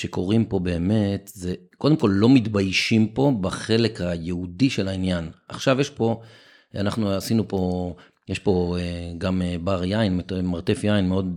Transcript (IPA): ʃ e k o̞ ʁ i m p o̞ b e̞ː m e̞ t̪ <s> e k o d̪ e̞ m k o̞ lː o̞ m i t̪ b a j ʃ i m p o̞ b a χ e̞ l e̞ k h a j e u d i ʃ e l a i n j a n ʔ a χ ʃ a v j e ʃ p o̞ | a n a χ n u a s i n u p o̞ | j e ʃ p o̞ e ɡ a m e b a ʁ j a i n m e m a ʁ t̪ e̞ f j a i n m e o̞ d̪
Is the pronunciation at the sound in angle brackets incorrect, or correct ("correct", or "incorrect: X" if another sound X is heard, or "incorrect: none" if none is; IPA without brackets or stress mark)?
incorrect: z